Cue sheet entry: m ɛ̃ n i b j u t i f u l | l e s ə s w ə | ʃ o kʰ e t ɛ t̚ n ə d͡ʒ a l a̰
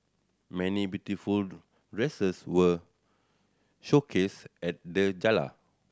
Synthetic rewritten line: m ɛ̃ n i b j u t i f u l | ɹ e s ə s w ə | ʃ o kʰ e s ɛ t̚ d ə d͡ʒ a l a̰